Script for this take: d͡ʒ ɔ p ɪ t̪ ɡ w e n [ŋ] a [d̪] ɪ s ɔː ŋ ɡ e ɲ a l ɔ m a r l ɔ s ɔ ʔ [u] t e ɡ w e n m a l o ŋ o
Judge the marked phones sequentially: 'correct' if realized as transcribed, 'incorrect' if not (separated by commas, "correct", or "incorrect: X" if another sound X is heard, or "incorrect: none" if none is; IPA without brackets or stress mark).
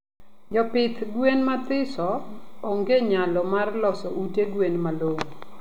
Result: incorrect: m, incorrect: t̪, correct